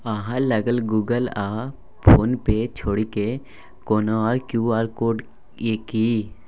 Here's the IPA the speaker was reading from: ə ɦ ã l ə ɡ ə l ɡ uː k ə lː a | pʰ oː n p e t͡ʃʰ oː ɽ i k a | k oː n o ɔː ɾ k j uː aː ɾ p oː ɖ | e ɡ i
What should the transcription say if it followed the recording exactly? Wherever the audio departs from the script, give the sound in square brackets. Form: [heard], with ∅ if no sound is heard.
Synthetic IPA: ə ɦ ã l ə ɡ ə l ɡ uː [ɡ] ə [l] a | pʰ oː n p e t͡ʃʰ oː ɽ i k [e] | k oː n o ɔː ɾ k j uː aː ɾ [k] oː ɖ | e [k] i